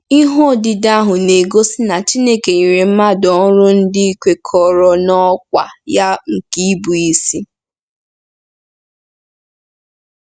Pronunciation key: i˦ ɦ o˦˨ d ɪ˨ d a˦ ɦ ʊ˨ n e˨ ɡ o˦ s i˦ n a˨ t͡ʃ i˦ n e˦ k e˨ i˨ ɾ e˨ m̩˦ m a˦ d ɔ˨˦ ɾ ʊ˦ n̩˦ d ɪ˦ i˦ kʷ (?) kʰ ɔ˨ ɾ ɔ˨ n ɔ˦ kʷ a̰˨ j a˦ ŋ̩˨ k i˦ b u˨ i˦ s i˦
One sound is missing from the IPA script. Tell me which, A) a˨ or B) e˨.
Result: B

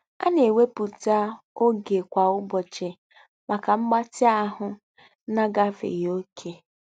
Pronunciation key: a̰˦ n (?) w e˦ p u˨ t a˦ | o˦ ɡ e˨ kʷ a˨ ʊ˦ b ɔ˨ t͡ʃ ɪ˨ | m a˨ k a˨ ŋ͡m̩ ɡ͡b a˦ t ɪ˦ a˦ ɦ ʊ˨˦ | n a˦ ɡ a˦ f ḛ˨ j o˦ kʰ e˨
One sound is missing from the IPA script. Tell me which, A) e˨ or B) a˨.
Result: A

